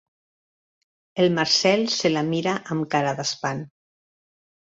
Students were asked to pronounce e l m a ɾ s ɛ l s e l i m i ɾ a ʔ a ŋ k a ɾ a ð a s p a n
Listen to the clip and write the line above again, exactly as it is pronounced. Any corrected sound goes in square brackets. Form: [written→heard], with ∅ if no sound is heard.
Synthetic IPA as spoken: e l m a ɾ s ɛ l s e l [i→a] m i ɾ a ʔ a [ŋ→m] k a ɾ a ð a s p a n